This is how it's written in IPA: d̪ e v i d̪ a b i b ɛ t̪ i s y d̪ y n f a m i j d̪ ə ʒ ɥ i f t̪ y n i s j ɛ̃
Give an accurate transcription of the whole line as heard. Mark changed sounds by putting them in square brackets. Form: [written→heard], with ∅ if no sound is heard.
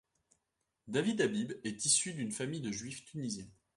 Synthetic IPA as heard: d̪ [e→a] v i d̪ a b i b ɛ t̪ i s y d̪ y n f a m i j d̪ ə ʒ ɥ i f t̪ y n i [s→z] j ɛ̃